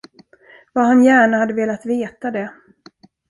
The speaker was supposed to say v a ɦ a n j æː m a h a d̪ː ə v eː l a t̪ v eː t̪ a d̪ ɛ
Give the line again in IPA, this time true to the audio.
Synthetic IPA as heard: v a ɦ a n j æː ɳ a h a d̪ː ə v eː l a t̪ v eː t̪ a d̪ ɛ